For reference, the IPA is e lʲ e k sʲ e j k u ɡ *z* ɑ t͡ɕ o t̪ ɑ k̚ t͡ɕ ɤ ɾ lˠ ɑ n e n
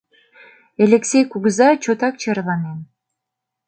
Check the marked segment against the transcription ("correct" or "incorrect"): correct